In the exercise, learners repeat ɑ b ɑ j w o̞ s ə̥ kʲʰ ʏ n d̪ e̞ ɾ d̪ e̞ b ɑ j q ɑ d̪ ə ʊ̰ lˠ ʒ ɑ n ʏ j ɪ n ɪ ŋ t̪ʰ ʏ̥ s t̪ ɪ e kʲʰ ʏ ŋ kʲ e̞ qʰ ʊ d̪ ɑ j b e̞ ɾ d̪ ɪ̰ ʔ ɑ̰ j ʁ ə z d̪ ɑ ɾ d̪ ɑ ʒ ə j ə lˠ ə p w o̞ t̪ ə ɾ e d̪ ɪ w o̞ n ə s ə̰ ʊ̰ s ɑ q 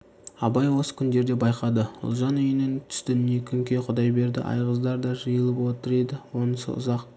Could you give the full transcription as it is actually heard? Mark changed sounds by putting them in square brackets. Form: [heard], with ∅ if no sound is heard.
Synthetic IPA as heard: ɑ b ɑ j w o̞ s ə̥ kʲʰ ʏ n d̪ e̞ ɾ d̪ e̞ b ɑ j q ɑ d̪ ə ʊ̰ lˠ ʒ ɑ n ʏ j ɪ n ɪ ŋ t̪ʰ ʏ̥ s t̪ ɪ e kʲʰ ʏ ŋ kʲ e̞ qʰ ʊ d̪ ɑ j b e̞ ɾ d̪ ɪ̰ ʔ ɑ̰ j ʁ ə z d̪ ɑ ɾ d̪ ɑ ʒ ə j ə lˠ ə p w o̞ t̪ ə ɾ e d̪ ɪ w o̞ n ə s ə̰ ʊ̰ [z] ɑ q